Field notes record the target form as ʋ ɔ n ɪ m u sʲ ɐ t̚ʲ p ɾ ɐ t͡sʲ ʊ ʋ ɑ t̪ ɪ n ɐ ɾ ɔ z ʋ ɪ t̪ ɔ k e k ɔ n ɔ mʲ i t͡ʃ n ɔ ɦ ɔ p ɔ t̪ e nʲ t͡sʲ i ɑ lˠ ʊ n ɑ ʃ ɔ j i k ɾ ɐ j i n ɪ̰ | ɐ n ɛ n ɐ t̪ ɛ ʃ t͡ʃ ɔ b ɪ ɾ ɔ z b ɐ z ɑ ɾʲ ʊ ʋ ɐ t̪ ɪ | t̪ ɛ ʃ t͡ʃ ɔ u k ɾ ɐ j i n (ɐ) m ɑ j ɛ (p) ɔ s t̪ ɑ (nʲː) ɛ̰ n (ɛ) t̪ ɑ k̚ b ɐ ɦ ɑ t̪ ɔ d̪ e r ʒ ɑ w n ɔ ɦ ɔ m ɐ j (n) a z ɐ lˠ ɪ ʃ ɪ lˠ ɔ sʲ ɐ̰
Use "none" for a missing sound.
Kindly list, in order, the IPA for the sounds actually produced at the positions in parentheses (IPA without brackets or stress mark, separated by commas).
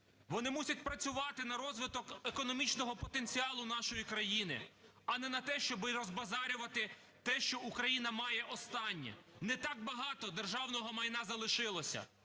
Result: ɐ, ʔ, nʲː, ɛ, n